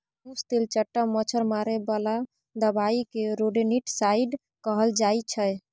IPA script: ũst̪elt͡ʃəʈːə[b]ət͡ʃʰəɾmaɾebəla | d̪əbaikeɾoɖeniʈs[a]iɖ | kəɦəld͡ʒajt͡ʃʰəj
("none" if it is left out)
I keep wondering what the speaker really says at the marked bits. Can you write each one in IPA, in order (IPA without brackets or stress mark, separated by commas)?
m, a